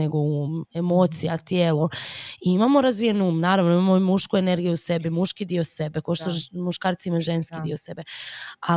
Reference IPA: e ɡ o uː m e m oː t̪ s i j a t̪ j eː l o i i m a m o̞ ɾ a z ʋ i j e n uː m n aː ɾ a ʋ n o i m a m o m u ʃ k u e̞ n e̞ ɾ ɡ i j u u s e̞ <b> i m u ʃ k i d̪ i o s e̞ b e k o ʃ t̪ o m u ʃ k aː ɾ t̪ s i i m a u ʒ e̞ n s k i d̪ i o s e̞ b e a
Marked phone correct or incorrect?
correct